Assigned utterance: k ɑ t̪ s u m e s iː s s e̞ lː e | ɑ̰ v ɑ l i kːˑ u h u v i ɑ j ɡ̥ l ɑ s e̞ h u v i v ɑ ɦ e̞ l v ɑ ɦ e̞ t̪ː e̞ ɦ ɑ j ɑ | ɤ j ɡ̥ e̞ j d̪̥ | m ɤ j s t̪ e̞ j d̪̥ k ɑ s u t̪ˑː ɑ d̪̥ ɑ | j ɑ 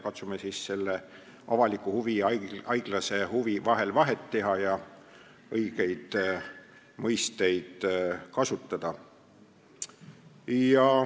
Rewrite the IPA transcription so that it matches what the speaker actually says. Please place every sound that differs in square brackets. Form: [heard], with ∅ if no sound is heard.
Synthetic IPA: k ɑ t̪ s u m e s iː s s e̞ lː e | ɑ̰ v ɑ l i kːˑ u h u v i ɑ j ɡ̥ l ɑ s e̞ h u v i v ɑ ɦ e̞ l v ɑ ɦ e̞ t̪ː e̞ ɦ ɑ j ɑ | ɤ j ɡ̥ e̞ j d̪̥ | m ɤ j s t̪ e̞ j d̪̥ k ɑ s u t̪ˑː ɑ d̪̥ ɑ | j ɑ